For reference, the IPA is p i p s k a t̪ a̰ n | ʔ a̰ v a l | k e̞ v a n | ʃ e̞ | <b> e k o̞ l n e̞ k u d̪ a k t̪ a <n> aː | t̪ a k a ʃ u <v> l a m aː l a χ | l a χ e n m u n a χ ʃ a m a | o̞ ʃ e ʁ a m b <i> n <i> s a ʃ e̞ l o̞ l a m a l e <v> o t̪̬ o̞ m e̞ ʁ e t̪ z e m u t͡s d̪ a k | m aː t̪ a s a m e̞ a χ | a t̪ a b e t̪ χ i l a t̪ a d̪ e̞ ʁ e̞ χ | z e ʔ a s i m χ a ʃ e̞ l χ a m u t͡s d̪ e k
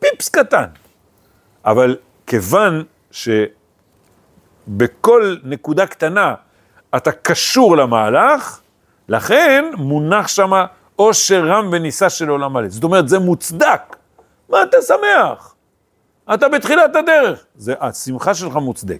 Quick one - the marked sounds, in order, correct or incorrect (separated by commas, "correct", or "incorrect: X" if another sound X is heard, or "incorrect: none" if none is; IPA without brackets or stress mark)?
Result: correct, correct, incorrect: ʁ, incorrect: e, correct, incorrect: z